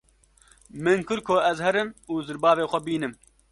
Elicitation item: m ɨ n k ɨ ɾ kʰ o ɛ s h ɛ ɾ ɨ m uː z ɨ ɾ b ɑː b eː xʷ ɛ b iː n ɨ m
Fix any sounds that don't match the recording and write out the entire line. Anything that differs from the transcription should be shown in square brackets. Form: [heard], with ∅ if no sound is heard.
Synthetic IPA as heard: m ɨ n k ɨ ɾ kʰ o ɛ [z] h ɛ ɾ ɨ m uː z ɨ ɾ b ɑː [v] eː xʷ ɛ b iː n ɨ m